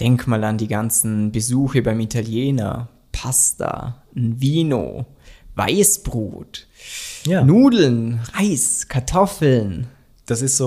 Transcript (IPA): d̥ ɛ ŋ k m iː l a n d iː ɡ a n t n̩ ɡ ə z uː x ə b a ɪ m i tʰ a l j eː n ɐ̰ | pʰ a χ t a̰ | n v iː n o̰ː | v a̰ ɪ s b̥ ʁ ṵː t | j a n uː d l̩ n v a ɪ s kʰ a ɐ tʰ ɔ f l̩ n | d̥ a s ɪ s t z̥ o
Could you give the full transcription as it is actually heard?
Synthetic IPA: d̥ ɛ ŋ k m aː l a n d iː ɡ a n t͡s n̩ b ə z uː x ə b a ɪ m i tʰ a l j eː n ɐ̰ | pʰ a s t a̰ | n v iː n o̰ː | v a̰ ɪ s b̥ ʁ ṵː t | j a n uː d l̩ n ʁ a ɪ s kʰ a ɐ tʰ ɔ f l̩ n | d̥ a s ɪ s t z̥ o